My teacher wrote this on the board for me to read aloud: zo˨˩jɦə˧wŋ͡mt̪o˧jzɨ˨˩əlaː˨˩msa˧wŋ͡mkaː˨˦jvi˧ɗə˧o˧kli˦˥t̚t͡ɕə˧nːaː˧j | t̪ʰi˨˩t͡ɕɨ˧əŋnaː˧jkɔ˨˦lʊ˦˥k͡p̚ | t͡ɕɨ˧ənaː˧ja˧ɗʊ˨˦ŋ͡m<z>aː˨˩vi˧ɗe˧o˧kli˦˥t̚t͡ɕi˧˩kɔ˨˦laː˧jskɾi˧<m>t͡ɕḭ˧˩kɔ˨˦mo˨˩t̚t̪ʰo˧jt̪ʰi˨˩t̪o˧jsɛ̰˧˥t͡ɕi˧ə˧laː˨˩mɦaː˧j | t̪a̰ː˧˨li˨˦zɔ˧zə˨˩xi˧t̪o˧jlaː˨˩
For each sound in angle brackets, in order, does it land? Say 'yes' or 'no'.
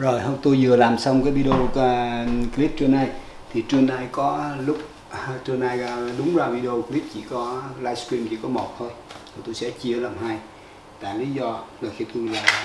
yes, yes

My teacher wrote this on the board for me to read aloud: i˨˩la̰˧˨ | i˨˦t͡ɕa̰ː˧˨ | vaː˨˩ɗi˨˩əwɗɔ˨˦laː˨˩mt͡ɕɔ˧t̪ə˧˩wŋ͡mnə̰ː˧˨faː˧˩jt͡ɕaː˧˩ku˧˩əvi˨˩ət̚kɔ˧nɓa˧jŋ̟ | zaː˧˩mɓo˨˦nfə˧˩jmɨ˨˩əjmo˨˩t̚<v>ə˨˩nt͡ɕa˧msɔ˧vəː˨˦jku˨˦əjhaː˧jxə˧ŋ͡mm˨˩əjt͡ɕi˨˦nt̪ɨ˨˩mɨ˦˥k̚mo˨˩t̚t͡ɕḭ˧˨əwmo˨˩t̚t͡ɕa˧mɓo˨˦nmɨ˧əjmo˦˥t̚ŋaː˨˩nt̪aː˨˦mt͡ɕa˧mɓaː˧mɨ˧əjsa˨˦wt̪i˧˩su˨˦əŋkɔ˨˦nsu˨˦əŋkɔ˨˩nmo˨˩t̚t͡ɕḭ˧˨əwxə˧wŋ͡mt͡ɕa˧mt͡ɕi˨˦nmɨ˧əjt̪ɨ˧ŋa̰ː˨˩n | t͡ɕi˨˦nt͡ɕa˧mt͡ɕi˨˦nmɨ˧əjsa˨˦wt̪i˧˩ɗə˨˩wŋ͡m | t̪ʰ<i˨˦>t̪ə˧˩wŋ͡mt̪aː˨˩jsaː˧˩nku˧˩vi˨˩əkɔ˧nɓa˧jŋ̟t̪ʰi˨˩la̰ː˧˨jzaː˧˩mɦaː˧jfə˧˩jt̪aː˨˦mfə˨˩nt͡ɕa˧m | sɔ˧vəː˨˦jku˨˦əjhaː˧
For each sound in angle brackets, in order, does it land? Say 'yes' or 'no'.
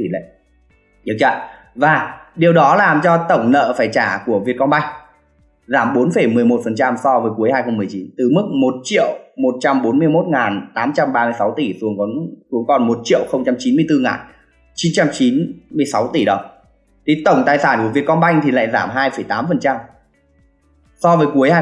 no, no

